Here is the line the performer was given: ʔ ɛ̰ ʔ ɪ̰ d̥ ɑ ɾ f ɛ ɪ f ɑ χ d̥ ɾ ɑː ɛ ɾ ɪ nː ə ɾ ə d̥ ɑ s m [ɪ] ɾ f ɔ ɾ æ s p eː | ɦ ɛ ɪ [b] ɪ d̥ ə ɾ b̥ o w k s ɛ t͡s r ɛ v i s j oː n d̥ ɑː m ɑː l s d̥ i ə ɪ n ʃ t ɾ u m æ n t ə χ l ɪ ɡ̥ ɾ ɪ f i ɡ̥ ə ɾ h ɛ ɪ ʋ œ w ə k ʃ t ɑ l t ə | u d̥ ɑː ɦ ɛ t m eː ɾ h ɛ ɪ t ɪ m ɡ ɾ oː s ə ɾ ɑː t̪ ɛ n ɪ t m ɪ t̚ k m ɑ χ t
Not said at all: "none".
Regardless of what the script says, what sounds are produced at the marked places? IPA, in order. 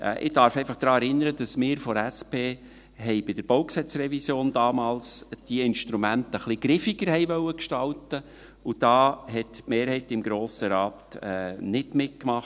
ɪː, b

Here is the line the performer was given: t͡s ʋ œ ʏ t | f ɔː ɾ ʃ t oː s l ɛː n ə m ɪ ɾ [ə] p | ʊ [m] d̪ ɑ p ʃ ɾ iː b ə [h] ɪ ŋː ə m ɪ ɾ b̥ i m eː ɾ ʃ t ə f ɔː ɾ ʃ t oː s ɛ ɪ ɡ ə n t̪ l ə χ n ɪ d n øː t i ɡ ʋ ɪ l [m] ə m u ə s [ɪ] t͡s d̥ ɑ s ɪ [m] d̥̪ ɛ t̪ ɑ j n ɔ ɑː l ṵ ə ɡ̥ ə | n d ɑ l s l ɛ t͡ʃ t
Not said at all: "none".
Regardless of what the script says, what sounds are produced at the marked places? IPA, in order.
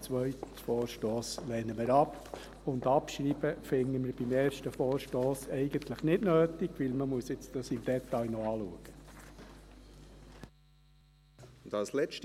ɑ, n, f, m, ɪ, m

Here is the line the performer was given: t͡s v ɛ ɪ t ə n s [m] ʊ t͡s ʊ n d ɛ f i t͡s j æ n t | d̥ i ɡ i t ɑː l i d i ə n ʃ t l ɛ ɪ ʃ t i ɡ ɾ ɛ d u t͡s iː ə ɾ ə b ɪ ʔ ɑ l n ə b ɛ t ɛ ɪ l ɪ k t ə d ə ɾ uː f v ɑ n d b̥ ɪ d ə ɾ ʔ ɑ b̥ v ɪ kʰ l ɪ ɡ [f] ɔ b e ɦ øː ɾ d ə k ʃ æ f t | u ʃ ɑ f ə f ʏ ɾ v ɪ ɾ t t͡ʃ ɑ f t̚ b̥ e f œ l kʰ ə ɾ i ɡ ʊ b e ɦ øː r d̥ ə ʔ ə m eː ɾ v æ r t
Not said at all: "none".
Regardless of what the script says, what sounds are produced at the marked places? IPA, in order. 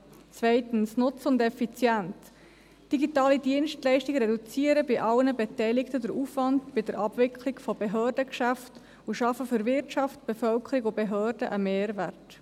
n, f

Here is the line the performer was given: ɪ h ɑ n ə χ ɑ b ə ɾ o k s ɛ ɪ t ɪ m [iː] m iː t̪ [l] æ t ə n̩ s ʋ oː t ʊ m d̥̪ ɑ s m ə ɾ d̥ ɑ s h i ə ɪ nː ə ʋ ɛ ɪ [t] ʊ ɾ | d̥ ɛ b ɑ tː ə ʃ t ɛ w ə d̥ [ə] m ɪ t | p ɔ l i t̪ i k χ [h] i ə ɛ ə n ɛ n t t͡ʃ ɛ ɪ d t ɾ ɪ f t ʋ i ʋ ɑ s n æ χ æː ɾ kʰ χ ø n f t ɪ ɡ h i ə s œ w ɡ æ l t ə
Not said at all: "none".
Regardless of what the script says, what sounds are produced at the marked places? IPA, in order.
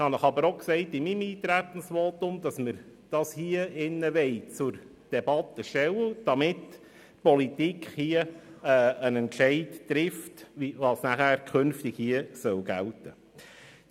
i, ɾ, t͡s, ɑ, h

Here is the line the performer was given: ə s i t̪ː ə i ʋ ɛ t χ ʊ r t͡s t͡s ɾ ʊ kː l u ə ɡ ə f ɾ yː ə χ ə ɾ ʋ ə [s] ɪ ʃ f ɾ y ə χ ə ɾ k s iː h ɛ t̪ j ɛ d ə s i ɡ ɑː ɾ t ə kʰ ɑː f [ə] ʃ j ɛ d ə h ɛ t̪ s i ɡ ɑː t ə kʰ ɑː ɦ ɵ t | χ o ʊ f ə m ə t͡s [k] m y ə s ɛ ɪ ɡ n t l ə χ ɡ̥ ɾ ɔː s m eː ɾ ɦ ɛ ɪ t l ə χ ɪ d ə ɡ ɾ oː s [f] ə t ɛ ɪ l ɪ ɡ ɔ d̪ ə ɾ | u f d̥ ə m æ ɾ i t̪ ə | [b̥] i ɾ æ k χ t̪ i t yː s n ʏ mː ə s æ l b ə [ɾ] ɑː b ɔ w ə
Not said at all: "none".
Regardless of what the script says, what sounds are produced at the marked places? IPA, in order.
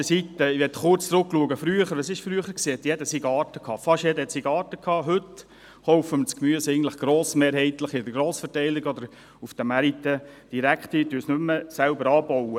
s, ɑ, k, f, d̥, ɾ

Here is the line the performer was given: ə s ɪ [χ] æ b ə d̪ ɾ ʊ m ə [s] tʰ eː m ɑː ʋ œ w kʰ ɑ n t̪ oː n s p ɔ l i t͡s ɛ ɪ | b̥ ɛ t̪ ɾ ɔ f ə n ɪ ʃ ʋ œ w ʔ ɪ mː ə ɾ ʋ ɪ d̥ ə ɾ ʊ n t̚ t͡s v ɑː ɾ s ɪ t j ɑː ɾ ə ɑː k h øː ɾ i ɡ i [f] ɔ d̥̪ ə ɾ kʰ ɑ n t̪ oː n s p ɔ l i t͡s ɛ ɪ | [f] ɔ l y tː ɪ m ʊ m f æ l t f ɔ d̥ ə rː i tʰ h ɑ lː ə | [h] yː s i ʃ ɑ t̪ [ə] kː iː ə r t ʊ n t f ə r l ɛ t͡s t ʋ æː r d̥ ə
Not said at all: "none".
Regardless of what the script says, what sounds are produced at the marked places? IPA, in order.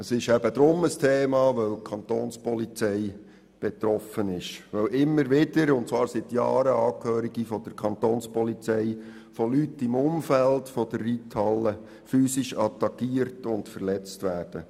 ʃ, s, f, f, f, ɑ

